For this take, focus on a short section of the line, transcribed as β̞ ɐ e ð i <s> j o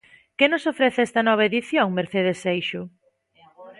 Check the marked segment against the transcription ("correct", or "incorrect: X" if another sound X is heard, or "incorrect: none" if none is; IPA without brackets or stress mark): incorrect: θ